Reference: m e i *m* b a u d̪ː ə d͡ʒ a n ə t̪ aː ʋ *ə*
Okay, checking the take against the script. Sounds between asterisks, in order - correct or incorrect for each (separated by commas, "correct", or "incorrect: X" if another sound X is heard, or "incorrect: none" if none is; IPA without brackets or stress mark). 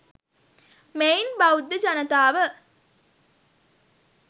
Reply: incorrect: n, correct